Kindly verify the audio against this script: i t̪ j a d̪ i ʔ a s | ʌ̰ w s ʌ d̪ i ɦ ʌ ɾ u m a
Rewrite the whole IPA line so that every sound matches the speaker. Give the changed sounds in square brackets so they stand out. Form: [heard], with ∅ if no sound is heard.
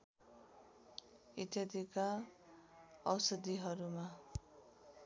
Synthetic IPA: i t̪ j a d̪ i [k] a [∅] | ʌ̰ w s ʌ d̪ i ɦ ʌ ɾ u m a